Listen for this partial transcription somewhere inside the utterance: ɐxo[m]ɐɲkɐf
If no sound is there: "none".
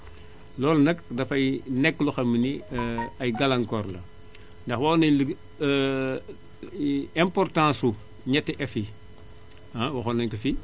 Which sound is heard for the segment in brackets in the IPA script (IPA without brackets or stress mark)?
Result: n